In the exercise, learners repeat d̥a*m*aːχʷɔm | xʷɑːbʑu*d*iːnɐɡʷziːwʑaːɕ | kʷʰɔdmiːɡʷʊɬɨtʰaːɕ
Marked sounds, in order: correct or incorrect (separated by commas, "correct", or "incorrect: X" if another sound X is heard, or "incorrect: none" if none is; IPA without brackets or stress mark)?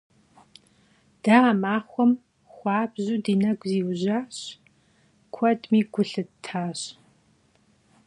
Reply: correct, correct